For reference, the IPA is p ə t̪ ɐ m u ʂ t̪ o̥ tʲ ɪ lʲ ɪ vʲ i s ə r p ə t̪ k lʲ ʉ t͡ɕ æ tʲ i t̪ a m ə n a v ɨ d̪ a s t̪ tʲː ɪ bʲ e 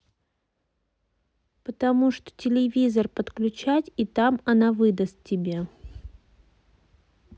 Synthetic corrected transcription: p ə t̪ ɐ m u ʂ t̪ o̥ tʲ ɪ lʲ ɪ vʲ i z ə r p ə t̪ k lʲ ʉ t͡ɕ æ tʲ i t̪ a m ɐ n a v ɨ d̪ ə s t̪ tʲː ɪ bʲ e